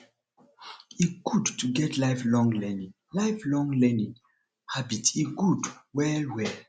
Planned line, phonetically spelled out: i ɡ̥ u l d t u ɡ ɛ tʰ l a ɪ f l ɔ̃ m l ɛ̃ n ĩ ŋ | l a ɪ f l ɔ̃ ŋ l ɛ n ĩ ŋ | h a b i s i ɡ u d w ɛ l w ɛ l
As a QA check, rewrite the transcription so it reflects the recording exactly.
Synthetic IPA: i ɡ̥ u d t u ɡ ɛ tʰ l a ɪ f l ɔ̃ ŋ l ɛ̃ n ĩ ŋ | l a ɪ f l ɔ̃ ŋ l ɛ n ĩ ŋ | h a b i t i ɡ u d w ɛ l w ɛ l